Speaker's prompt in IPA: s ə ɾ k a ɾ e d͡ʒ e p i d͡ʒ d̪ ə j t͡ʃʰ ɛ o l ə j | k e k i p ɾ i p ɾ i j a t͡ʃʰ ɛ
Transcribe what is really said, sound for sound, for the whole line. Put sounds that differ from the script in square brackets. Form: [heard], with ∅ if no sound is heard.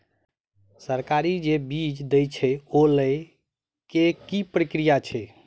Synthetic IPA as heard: s ə ɾ k a ɾ [i] d͡ʒ e [b] i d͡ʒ d̪ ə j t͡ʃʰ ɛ o l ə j | k e k i p ɾ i [k] ɾ i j a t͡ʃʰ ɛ